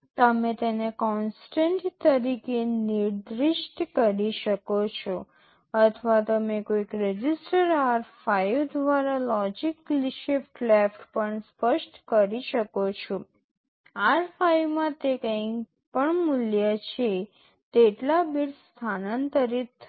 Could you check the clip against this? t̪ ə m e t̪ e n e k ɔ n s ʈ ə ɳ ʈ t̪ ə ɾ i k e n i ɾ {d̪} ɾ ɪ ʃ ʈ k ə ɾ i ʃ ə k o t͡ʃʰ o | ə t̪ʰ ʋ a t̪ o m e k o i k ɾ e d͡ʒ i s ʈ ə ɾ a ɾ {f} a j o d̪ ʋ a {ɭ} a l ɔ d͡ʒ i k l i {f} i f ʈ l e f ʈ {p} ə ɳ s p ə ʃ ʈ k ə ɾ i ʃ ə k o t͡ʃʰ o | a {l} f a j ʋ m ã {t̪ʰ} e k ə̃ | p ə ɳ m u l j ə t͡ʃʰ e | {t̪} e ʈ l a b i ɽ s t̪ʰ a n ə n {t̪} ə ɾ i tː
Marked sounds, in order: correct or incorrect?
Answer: correct, correct, incorrect, incorrect, correct, incorrect, incorrect, correct, correct

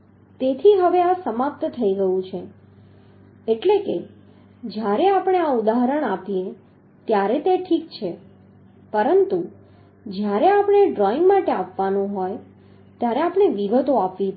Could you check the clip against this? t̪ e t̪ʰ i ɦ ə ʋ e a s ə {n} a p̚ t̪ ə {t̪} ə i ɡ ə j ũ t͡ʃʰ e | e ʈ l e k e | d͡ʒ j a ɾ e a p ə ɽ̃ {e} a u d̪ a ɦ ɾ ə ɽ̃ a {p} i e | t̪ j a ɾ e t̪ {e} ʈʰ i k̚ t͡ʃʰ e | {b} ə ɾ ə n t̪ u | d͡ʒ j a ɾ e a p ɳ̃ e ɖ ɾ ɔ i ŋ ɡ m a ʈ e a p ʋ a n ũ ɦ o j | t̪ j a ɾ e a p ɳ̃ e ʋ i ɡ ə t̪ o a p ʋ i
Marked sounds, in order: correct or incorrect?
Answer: incorrect, incorrect, correct, correct, correct, incorrect

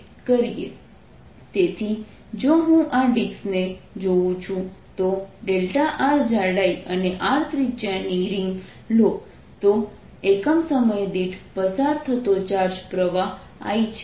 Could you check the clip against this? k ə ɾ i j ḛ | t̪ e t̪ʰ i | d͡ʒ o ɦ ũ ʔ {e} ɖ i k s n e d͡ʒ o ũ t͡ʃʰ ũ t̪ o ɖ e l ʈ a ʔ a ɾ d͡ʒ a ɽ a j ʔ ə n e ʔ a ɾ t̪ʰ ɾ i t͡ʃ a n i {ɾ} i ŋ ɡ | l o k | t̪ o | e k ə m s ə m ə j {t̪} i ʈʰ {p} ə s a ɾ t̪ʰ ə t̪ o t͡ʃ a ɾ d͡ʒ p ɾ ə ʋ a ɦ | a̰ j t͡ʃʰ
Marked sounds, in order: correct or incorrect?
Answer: incorrect, correct, incorrect, correct

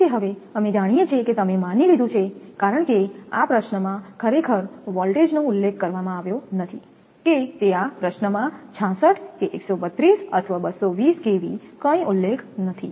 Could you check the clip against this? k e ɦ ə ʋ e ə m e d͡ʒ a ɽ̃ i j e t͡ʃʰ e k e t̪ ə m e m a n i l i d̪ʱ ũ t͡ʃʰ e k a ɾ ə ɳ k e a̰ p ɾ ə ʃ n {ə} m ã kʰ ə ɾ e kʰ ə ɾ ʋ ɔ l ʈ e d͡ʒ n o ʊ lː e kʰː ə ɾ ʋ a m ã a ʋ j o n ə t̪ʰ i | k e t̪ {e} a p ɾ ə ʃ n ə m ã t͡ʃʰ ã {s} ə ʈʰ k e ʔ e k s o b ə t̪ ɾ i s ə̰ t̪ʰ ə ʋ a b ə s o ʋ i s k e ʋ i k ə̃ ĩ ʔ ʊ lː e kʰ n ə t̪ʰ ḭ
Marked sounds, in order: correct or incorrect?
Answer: correct, correct, correct

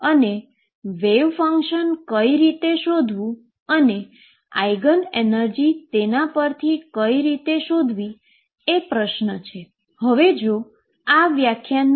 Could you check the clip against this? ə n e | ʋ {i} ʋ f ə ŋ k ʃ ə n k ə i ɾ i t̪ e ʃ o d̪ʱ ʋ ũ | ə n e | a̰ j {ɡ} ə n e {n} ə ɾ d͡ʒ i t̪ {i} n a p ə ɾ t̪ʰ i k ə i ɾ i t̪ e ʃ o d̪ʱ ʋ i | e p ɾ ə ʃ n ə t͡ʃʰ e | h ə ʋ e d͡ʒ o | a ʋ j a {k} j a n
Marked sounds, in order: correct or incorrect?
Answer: incorrect, correct, correct, incorrect, incorrect

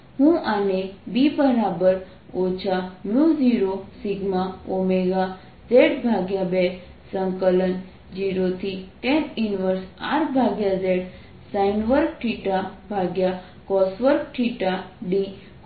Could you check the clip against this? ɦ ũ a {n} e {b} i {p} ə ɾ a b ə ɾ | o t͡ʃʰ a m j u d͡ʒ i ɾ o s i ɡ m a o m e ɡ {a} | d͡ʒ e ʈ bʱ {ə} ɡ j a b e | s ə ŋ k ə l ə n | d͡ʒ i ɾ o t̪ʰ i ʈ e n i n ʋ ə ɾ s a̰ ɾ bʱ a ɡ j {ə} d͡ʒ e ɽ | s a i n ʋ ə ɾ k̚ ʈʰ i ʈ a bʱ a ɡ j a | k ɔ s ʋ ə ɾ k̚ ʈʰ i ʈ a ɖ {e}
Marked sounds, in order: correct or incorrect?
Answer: correct, correct, incorrect, correct, incorrect, incorrect, incorrect

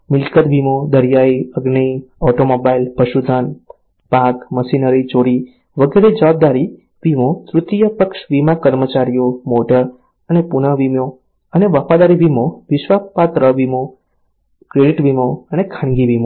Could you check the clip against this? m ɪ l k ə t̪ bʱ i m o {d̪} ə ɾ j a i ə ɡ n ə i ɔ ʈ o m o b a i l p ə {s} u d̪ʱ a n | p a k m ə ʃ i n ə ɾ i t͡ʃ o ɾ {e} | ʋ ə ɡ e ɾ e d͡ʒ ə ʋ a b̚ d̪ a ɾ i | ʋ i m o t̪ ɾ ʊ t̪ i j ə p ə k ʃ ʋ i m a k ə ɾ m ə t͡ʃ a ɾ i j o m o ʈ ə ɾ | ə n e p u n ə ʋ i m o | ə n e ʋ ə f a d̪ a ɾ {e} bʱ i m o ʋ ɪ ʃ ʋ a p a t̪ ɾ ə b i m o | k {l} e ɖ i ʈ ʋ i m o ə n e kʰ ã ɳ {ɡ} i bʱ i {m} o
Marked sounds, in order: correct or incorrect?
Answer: correct, incorrect, incorrect, incorrect, incorrect, correct, correct

